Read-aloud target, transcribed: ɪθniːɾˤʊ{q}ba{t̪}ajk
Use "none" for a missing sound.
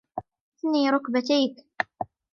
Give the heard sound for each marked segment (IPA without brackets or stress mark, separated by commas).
k, t̪